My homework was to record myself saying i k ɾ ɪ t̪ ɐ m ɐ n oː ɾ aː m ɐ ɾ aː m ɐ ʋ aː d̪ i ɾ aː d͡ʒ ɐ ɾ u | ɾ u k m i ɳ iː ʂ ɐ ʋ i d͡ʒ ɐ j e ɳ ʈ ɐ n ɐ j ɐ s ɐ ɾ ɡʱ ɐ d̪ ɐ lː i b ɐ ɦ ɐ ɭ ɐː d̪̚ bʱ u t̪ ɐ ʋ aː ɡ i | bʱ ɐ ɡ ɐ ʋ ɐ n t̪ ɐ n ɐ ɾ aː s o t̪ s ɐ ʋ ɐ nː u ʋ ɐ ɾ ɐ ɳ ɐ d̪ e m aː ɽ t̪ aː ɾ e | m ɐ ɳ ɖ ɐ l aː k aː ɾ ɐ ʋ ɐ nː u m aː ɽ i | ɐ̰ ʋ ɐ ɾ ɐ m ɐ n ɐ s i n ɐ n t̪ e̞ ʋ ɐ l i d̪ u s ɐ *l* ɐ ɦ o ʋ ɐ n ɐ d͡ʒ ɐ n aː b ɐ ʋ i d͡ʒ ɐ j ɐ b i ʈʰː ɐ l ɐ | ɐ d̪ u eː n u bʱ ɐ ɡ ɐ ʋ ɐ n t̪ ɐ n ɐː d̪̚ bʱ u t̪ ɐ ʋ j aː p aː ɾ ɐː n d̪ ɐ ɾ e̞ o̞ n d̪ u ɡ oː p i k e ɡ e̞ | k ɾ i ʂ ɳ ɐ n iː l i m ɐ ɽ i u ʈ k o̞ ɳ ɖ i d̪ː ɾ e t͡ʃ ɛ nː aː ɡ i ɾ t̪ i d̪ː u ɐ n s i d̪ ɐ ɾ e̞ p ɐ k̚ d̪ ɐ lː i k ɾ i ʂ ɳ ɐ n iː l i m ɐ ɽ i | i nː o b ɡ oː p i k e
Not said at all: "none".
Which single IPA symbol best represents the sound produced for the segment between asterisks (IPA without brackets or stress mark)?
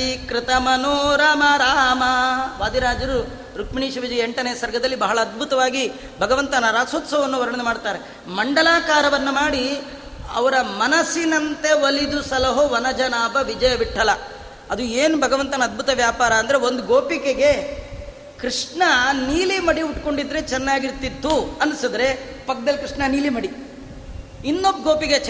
l